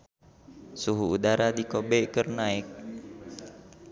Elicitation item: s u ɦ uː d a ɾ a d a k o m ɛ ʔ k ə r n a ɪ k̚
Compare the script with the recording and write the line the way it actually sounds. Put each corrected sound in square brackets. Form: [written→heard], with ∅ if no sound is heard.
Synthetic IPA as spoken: s u ɦ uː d a ɾ a d [a→i] k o [m→b] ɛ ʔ k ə r n a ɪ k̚